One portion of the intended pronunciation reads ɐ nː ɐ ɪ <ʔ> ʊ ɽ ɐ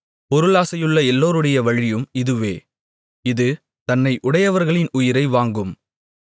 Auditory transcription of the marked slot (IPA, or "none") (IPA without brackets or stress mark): ʔ